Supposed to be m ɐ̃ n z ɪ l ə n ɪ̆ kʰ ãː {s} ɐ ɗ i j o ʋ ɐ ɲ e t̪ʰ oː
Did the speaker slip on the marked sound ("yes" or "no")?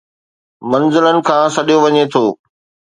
no